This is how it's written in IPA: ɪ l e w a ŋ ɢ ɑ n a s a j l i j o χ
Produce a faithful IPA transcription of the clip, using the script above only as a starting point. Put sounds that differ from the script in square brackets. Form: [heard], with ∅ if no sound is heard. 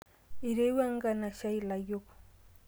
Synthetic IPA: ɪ [ɾ] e w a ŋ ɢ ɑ n a [ʃ] a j l [a] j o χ